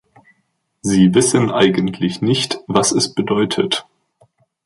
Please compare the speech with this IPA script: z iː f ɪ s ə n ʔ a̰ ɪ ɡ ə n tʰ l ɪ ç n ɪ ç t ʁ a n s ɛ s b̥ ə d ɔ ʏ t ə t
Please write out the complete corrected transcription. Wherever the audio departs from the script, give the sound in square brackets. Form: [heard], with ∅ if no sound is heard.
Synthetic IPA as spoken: z iː [v] ɪ s ə n ʔ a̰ ɪ ɡ ə n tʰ l ɪ ç n ɪ ç t [v] a [∅] s ɛ s b̥ ə d ɔ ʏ [tʰ] ə t